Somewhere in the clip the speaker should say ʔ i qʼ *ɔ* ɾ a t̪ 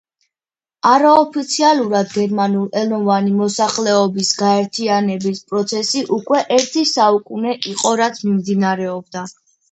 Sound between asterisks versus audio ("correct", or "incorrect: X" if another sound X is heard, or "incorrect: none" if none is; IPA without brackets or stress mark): correct